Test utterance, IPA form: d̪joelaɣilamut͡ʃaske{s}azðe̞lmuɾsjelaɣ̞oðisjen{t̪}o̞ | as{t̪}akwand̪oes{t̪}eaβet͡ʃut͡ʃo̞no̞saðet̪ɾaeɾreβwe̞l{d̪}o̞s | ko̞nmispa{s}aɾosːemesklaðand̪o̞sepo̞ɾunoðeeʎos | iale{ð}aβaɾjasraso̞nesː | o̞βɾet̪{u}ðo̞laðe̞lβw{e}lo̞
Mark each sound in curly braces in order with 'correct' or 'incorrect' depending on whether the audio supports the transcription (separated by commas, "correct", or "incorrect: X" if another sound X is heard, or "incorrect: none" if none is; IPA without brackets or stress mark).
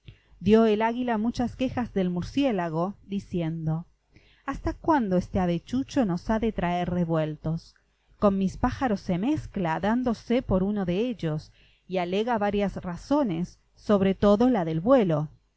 incorrect: x, incorrect: d̪, correct, correct, incorrect: t̪, incorrect: x, incorrect: ɣ, incorrect: o, correct